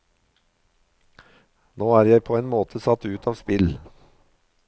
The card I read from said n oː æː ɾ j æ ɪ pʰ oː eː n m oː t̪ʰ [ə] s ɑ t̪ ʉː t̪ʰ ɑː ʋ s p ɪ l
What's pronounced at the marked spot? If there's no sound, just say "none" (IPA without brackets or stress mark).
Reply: ə